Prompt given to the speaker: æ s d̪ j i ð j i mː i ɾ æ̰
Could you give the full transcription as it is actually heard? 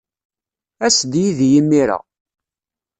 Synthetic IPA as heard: æ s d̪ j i ð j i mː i ɾ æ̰